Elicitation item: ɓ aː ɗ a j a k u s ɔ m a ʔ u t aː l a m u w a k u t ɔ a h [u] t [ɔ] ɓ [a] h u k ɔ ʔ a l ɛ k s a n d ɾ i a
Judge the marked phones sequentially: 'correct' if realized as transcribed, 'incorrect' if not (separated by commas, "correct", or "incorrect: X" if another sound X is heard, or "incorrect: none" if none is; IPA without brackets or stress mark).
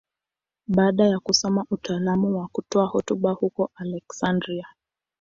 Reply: incorrect: ɔ, incorrect: u, correct